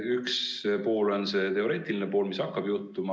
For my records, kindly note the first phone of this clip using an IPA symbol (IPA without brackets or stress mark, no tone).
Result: y